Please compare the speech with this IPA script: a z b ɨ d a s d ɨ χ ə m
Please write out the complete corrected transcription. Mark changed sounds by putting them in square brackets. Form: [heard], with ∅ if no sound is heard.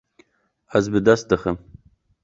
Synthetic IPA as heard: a z b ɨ d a s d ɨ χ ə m

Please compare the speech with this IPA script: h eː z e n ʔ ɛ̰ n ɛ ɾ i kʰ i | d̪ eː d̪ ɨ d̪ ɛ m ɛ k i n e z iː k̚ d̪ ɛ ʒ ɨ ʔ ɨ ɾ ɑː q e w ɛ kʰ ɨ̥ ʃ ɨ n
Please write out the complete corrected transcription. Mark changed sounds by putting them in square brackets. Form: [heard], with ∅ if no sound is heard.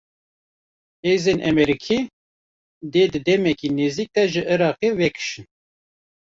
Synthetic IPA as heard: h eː z e n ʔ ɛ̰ [m] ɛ ɾ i kʰ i | d̪ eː d̪ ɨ d̪ ɛ m ɛ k i n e z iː k̚ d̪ ɛ ʒ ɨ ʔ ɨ ɾ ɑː q e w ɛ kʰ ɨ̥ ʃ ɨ n

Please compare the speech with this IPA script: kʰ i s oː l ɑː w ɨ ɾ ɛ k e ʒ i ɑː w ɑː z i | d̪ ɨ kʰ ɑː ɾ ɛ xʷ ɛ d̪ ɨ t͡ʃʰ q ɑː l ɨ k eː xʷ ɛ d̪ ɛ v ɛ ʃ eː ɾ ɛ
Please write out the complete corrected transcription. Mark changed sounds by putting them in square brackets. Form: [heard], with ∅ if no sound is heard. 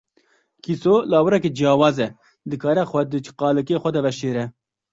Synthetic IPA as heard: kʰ i s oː l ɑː w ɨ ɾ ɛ k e [d͡ʒ] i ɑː w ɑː z [ɛ] | d̪ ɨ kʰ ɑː ɾ ɛ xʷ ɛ d̪ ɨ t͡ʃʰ q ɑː l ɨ k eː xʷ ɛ d̪ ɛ v ɛ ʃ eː ɾ ɛ

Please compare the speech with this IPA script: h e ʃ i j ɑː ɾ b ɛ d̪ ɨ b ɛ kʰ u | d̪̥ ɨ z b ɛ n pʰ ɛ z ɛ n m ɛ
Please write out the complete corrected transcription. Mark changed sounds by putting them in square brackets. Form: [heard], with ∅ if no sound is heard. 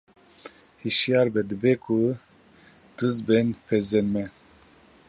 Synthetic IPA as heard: h [i] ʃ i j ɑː ɾ b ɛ d̪ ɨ b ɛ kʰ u | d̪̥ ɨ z b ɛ n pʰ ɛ z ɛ n m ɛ

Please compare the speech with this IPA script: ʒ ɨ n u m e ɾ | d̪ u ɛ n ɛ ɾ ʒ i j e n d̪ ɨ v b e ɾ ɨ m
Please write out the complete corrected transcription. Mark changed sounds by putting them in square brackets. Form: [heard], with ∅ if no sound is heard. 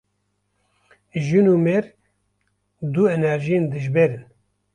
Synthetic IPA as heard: ʒ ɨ n u m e ɾ | d̪ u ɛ n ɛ ɾ ʒ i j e n d̪ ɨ [ʒ] b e ɾ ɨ [n]

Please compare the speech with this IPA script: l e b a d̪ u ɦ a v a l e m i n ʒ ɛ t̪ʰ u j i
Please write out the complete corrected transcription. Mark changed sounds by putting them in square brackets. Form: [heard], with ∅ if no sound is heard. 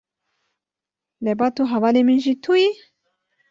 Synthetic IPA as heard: l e b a [t̪] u ɦ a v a l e m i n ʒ [i] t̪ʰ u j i

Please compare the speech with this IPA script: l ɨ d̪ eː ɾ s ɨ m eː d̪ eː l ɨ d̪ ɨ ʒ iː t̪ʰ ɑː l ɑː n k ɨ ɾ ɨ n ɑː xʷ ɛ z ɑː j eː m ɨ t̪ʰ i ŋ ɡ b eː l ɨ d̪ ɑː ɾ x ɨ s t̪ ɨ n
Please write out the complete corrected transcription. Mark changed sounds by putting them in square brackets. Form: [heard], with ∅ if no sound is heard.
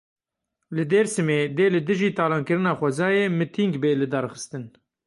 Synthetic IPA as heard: l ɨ d̪ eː ɾ s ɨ m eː d̪ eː l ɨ d̪ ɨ ʒ iː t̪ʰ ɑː l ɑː n k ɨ ɾ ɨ n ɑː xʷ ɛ z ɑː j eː m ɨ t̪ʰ i ŋ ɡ b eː l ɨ d̪ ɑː ɾ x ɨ s t̪ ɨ n

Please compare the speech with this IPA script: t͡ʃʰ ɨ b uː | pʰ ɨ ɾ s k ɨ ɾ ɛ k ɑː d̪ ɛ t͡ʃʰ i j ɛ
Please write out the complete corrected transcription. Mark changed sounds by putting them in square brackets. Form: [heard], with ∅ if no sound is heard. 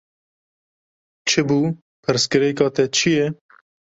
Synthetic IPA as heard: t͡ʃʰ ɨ b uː | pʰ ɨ ɾ s k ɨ ɾ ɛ k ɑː [t̪] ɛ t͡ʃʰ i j ɛ

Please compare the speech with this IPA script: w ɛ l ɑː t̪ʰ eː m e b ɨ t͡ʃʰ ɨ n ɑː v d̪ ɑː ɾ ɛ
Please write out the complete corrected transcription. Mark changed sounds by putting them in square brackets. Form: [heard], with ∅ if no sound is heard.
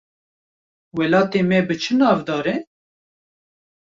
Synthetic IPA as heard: w ɛ l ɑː [t̪] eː m [ɛ] b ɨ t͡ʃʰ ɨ n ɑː v d̪ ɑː ɾ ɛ

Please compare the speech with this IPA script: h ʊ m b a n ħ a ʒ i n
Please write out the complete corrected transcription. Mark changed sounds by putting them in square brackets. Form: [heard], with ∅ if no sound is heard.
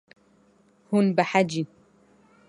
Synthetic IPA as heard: h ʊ [n] b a [∅] ħ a [d͡ʒ] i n

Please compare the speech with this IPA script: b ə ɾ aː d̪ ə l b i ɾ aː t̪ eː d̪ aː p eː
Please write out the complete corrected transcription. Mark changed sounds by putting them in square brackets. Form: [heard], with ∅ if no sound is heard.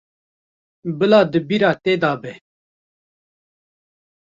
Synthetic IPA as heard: b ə [l] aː d̪ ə [∅] b i ɾ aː t̪ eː d̪ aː [b] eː

